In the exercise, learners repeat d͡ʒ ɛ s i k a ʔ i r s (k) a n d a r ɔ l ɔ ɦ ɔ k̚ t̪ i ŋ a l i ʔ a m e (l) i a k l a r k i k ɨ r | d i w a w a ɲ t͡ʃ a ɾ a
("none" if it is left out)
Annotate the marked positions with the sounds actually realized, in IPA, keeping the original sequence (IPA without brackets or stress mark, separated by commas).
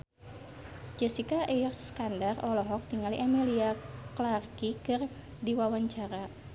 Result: k, l